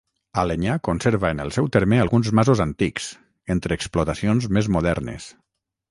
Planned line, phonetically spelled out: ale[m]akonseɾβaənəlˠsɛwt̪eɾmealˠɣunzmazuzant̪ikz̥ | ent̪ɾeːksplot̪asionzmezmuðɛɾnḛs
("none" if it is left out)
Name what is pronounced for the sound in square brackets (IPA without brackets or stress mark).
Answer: ɲ